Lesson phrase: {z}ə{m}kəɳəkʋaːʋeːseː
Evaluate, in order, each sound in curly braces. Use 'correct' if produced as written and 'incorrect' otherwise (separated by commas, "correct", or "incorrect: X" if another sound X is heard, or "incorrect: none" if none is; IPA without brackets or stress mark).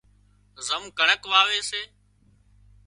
correct, correct